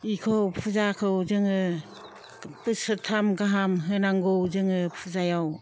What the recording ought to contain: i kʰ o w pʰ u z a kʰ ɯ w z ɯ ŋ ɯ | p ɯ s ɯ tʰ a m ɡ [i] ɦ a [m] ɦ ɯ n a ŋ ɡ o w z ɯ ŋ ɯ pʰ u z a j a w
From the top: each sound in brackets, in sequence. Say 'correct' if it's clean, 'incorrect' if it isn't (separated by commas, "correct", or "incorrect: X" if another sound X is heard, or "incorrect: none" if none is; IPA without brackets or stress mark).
incorrect: a, correct